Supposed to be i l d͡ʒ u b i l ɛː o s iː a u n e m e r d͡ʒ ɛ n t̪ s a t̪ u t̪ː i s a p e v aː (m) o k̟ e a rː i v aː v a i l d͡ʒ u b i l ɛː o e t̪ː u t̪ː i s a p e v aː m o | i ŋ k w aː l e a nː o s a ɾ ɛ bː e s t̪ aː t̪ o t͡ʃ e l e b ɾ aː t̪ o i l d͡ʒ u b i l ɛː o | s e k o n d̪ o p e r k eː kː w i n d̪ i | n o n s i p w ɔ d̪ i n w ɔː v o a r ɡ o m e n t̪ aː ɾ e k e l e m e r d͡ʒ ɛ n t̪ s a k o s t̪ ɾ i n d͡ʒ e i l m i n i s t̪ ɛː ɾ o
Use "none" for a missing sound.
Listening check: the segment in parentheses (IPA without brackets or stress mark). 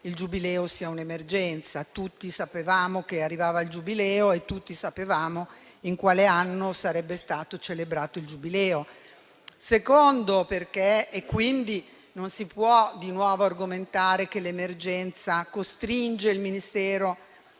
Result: m